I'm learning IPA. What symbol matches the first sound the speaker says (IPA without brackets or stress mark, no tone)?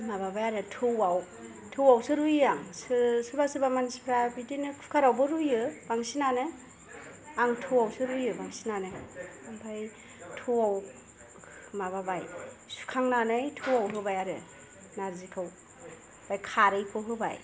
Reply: m